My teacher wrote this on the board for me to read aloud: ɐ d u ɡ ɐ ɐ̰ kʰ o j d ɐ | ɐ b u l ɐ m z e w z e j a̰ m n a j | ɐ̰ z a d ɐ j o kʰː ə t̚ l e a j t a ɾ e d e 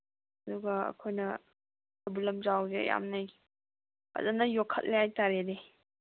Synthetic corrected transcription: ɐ d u ɡ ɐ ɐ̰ kʰ o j n ɐ | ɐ b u l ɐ m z a w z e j a̰ m n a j | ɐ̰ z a n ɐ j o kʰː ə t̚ l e a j t a ɾ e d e